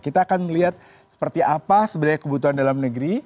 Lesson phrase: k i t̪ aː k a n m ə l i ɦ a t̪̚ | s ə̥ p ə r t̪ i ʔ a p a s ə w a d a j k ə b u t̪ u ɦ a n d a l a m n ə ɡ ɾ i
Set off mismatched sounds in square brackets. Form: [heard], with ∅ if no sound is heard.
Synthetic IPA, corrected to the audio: k i t̪ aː k a n m ə l i ɦ a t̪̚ | s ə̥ p ə r t̪ i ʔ a p a s ə [b] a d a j k ə b u t̪ u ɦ a n d a l a m n ə ɡ ɾ i